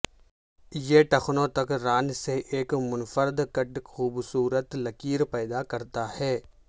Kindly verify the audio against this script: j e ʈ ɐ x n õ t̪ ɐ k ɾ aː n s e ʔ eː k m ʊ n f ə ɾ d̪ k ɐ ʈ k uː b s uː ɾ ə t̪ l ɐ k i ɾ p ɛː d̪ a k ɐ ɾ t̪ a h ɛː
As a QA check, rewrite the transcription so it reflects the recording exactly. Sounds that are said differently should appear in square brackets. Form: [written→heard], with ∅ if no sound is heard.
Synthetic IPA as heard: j e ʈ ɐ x n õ t̪ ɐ k ɾ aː n s e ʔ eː k m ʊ n f ə ɾ d̪ k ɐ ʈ [k→x] uː b s uː ɾ ə t̪ l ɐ k [i→iː] ɾ p ɛː d̪ a k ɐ ɾ t̪ a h ɛː